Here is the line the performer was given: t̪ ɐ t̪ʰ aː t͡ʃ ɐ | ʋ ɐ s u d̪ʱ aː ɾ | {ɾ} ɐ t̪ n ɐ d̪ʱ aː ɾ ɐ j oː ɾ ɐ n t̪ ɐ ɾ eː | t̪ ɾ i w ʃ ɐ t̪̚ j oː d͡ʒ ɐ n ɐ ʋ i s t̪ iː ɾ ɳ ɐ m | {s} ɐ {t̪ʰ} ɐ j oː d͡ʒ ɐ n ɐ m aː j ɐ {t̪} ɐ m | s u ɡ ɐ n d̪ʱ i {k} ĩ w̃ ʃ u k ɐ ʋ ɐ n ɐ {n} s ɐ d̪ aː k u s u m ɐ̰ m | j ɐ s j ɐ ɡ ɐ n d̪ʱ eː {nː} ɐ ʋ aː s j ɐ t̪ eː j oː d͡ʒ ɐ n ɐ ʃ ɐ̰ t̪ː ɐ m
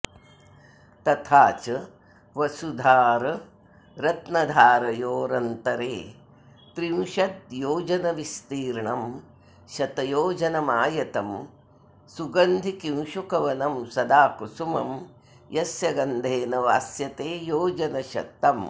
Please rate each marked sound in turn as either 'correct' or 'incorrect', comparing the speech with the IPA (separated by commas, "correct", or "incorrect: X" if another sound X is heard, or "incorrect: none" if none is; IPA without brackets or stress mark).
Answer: correct, incorrect: ʃ, incorrect: t̪, correct, correct, incorrect: m, incorrect: n